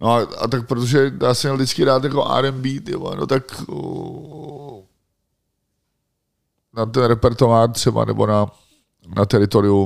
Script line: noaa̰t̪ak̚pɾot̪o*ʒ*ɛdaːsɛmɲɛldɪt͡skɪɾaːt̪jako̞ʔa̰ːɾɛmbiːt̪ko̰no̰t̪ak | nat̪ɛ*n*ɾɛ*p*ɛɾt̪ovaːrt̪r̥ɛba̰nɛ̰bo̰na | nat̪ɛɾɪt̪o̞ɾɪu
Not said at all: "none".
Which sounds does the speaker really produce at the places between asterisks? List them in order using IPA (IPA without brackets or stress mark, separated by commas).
ʒ, n, p